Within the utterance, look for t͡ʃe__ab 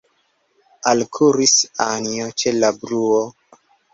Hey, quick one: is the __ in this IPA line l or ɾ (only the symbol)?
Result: l